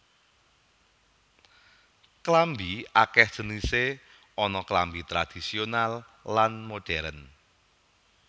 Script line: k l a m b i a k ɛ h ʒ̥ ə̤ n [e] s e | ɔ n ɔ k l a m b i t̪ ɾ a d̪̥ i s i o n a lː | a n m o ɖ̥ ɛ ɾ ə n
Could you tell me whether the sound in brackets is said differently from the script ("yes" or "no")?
yes